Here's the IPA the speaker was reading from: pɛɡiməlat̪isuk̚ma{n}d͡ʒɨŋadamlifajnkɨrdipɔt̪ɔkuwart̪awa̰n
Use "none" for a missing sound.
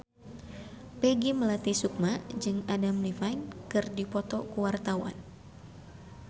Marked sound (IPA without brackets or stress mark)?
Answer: none